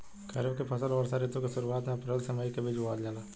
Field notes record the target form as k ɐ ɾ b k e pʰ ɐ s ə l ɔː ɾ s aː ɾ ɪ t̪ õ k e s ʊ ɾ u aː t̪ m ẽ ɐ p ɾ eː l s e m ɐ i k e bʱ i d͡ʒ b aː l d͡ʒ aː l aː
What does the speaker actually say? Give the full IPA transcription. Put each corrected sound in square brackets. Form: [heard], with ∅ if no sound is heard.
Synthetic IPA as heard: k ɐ ɾ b k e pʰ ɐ s ə l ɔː ɾ s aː ɾ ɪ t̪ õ k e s ʊ ɾ u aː t̪ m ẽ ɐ p ɾ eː l s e m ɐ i k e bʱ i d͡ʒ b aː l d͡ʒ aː l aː